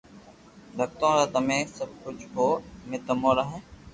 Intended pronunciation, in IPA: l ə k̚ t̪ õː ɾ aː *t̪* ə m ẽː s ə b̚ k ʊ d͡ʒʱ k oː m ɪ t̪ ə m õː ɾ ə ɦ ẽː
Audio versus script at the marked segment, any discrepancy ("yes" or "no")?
no